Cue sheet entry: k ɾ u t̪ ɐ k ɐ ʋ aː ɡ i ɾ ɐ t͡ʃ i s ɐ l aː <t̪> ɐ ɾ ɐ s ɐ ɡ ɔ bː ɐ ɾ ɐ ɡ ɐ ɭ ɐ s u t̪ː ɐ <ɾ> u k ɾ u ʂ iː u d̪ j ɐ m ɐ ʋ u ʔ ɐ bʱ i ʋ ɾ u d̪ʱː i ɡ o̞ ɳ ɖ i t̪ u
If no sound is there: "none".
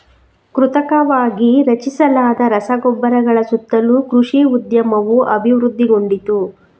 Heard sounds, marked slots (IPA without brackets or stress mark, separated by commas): d̪, l